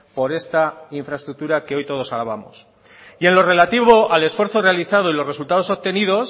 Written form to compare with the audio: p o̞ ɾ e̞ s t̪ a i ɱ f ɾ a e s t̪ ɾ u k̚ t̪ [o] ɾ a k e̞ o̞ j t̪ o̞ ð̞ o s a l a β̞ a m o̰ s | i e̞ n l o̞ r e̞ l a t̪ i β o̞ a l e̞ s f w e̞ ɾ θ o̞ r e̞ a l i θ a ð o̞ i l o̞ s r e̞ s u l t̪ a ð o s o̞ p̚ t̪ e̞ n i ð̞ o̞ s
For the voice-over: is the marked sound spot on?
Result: no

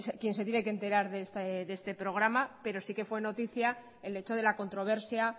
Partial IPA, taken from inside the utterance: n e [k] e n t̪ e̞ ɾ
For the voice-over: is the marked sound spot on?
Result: yes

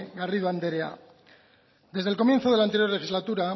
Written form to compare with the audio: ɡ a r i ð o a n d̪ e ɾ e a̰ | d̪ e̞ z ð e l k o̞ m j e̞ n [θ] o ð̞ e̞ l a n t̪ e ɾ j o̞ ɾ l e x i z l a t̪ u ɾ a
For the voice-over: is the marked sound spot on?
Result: yes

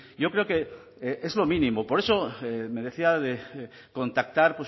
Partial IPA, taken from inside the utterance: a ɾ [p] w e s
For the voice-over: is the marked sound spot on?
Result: yes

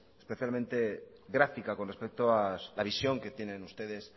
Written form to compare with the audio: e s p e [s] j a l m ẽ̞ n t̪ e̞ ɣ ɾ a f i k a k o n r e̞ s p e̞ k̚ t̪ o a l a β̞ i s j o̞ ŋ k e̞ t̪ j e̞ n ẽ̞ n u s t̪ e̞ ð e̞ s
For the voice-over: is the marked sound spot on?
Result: no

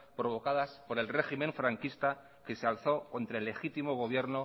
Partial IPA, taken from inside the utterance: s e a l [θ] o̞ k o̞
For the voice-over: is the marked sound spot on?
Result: yes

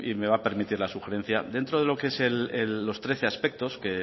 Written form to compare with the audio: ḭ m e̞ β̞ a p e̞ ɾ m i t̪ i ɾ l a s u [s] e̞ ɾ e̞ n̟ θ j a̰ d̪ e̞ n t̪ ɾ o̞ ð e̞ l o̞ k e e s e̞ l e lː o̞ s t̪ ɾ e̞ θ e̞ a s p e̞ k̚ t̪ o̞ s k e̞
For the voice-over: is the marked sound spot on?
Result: no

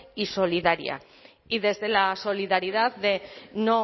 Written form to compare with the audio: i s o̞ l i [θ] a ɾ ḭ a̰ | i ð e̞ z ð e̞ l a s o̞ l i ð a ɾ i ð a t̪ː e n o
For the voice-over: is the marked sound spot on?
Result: no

